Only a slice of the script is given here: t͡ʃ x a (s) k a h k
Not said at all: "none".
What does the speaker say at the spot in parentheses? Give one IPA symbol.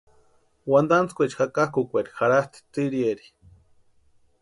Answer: none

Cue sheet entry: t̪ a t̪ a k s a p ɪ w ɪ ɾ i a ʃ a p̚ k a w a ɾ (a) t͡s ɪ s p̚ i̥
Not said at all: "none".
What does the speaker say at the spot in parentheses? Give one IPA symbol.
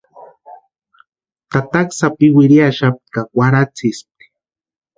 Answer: a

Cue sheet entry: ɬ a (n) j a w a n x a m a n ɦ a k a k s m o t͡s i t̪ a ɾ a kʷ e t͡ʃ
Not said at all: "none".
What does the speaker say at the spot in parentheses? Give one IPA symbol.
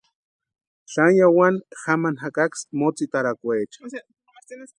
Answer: n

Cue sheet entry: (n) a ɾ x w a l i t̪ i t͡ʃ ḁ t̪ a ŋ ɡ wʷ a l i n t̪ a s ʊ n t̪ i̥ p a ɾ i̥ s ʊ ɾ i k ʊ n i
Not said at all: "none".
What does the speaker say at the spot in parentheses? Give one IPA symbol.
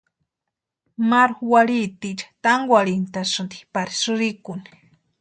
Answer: m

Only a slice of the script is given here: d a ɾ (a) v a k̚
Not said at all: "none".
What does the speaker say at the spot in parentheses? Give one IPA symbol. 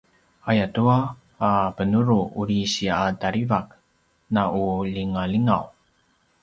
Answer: i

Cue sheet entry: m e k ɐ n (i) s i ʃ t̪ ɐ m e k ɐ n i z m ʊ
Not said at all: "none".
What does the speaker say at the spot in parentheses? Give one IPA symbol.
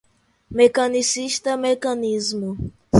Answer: i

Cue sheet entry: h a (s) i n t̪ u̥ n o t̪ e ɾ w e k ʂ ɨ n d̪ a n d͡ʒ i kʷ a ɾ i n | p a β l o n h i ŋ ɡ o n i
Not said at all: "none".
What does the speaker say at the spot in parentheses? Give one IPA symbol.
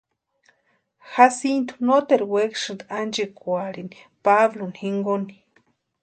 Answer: s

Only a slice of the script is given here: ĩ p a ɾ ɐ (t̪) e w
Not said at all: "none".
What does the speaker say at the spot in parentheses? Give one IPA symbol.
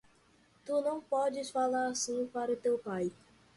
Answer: t̪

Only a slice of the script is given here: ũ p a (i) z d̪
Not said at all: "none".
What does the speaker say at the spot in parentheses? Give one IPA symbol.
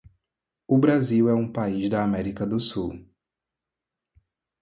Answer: i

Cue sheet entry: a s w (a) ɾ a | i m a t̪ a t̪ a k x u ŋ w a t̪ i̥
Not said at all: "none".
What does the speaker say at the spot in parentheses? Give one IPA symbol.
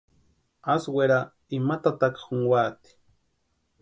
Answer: e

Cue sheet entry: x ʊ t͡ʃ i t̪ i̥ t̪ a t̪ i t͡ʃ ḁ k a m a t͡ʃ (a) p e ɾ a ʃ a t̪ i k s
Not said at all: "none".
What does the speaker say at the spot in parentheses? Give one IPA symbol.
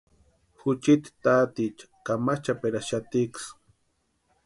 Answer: a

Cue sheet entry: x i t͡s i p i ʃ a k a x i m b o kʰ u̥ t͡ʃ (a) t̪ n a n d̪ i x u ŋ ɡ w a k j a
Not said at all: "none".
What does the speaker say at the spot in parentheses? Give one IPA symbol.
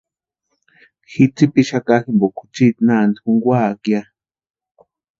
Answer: i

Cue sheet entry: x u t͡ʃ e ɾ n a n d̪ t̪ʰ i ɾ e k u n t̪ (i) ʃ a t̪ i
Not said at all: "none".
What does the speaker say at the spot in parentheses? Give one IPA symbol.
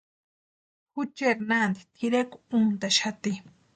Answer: a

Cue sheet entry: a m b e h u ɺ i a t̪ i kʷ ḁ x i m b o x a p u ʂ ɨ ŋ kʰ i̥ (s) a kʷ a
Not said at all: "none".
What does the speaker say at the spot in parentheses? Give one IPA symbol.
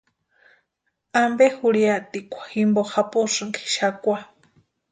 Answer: ʃ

